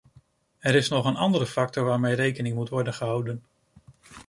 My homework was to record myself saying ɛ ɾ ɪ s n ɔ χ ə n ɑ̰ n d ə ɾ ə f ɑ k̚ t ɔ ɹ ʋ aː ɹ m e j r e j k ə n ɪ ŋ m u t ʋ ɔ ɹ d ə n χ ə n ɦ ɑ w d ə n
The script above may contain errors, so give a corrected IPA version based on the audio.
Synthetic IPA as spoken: ɛ ɾ ɪ s n ɔ χ ə n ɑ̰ n d ə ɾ ə f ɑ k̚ t ɔ ɹ ʋ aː ɹ m e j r e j k ə n ɪ ŋ m u t ʋ ɔ ɹ d ə n χ ə ɦ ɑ w d ə n